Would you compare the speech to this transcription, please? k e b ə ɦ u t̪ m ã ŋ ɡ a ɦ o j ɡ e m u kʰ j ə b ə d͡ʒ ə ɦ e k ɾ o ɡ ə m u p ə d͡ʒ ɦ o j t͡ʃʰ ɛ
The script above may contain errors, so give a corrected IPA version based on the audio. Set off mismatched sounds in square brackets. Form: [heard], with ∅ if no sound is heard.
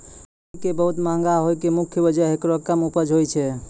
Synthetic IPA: k e b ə ɦ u t̪ m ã ŋ ɡ a ɦ o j [k] e m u kʰ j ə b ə d͡ʒ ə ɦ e k ɾ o [k] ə m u p ə d͡ʒ ɦ o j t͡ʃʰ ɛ